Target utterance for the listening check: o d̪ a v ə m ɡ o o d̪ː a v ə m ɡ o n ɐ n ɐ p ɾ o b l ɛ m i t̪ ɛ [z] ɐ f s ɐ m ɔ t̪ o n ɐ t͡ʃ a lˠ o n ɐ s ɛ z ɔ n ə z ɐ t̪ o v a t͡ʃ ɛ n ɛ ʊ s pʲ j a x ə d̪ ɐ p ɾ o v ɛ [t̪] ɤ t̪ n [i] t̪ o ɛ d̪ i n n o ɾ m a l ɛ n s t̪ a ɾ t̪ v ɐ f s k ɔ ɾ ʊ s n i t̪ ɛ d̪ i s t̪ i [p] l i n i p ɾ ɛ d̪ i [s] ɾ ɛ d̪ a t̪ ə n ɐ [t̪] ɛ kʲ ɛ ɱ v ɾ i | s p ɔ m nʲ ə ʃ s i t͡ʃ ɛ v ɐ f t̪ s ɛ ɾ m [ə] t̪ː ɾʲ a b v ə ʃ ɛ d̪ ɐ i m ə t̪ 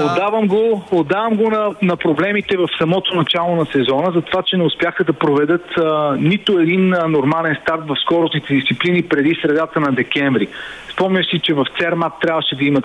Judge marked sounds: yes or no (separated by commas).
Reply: no, no, yes, yes, yes, no, no